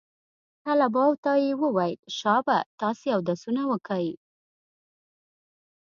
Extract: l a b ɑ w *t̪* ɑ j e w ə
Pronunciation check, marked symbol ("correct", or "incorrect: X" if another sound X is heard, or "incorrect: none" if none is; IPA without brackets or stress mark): correct